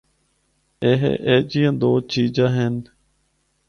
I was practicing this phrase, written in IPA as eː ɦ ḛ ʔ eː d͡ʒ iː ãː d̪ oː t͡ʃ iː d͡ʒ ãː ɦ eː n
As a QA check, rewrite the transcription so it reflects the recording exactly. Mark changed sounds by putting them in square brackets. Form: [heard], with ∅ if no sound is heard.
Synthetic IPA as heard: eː ɦ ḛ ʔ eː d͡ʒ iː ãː d̪ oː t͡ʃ iː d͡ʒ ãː ɦ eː n